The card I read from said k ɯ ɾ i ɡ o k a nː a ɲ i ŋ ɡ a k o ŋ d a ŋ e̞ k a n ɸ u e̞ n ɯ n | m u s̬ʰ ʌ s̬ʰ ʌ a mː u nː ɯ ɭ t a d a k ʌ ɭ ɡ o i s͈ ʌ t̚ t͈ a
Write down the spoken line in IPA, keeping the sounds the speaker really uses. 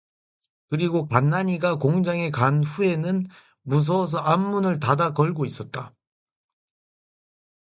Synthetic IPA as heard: k ɯ ɾ i ɡ o k a nː a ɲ i ɡ a k o ŋ d͡ʑ a ŋ e̞ k a n ɸ u e̞ n ɯ n | m u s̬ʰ ʌ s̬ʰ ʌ a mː u n ɯ ɭ t a d a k ʌ ɭ ɡ o i s͈ ʌ t̚ t͈ a